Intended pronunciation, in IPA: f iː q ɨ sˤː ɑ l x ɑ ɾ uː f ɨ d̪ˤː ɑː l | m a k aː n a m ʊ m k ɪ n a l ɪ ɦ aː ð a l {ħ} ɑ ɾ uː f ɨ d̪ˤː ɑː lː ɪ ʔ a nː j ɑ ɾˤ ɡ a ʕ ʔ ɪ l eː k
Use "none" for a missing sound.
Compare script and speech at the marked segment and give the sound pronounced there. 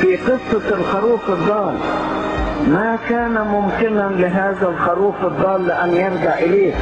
x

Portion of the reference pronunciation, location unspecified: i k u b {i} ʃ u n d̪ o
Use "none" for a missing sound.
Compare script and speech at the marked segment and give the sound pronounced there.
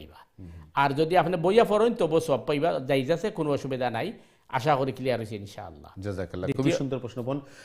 i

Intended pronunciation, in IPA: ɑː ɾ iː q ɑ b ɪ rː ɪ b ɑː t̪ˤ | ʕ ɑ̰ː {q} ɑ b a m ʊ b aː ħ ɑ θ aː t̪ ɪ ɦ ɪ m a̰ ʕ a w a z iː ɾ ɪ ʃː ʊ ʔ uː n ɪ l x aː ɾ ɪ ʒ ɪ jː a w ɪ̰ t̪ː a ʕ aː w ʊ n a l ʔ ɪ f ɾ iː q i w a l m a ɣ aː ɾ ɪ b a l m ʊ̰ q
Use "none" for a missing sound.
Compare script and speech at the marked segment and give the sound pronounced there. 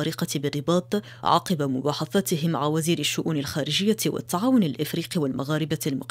q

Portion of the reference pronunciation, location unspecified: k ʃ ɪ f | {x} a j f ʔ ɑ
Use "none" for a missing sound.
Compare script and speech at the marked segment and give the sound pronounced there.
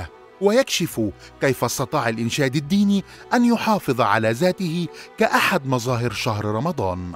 k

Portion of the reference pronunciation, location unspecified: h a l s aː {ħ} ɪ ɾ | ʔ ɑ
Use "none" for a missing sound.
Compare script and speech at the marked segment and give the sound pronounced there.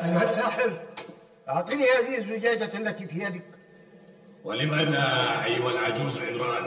ħ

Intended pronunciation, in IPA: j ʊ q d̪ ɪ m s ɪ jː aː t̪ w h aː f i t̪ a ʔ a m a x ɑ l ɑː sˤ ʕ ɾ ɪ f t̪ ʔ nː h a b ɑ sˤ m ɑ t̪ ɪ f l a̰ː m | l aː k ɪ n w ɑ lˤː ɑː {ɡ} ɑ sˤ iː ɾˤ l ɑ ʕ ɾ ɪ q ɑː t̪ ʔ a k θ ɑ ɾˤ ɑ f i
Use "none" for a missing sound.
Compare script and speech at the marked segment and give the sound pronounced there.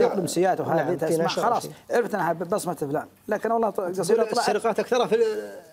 ɡ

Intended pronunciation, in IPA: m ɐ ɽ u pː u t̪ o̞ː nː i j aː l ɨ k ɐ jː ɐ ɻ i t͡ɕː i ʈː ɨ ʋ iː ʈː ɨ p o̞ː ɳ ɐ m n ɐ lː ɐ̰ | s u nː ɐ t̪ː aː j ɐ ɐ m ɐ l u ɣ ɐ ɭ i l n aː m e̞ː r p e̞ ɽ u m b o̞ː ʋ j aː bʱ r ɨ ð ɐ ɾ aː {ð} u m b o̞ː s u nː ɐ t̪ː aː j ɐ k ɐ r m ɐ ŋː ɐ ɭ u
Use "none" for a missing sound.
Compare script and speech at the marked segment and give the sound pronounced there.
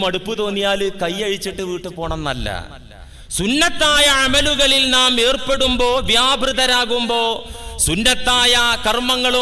ɣ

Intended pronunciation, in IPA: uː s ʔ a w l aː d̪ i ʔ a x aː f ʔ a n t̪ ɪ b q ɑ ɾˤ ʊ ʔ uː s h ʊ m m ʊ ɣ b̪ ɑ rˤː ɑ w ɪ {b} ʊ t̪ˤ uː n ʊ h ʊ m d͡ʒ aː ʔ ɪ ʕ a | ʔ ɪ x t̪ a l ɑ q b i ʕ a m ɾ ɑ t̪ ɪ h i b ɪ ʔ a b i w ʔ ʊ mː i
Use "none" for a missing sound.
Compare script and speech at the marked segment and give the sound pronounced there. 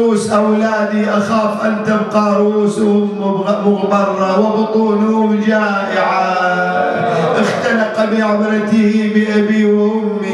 b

